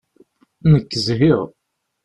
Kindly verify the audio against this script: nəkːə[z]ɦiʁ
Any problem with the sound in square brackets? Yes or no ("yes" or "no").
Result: no